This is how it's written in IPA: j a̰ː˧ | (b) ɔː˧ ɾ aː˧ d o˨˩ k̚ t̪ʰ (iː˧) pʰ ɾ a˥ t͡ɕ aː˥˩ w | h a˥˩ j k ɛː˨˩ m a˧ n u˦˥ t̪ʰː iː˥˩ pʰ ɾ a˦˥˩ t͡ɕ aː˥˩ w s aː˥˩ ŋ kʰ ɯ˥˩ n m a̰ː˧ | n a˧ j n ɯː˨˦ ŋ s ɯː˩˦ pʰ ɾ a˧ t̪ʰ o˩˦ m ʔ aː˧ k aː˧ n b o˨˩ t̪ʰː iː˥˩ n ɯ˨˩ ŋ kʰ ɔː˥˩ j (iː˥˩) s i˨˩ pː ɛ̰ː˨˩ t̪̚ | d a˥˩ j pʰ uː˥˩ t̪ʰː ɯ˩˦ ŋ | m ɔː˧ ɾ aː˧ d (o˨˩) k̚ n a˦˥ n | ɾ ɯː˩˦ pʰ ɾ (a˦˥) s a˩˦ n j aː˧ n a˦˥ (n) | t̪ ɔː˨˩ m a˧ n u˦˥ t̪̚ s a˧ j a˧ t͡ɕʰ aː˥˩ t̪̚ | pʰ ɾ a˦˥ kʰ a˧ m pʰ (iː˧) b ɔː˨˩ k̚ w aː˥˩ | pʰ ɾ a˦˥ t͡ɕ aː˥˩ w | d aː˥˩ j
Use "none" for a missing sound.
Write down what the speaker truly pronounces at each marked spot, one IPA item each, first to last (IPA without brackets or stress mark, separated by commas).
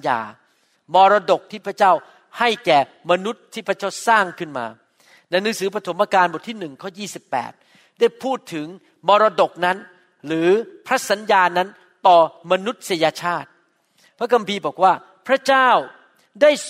m, iː˥˩, iː˥˩, o˨˩, a˦˥, n, iː˧